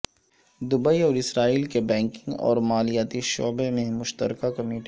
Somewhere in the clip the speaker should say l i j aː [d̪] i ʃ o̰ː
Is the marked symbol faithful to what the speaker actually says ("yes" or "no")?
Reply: no